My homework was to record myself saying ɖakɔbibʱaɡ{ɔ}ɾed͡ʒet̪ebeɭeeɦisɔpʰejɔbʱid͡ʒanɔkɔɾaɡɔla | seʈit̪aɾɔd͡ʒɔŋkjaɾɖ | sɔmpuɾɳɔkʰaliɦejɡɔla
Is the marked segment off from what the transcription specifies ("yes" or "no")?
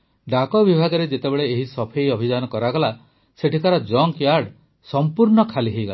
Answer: no